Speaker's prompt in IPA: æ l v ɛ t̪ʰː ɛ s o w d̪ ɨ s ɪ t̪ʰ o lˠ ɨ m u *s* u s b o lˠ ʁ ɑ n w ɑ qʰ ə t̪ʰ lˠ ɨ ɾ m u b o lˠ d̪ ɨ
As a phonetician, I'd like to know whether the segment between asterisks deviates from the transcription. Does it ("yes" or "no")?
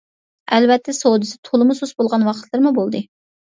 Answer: no